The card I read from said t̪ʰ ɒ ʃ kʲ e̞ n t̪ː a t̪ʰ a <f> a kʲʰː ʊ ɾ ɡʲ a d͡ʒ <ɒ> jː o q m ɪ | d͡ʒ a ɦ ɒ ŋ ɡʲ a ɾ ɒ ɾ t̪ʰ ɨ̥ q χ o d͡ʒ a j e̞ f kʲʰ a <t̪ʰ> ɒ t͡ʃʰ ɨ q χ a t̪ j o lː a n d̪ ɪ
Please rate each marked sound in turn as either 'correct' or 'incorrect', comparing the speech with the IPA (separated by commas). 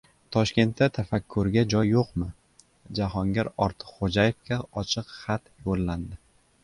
correct, correct, incorrect